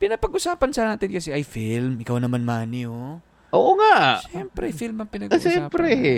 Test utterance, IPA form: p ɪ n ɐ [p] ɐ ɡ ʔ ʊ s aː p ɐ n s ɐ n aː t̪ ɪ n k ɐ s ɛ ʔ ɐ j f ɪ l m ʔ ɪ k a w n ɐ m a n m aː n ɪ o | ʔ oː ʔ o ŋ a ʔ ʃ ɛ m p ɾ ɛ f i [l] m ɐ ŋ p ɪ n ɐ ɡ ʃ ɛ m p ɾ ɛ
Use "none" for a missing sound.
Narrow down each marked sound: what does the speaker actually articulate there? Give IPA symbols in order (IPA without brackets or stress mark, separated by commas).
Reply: p, l